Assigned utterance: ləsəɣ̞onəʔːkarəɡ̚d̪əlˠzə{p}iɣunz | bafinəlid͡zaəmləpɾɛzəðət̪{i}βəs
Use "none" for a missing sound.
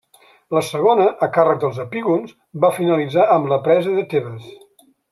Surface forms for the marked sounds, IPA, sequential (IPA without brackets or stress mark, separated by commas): p, e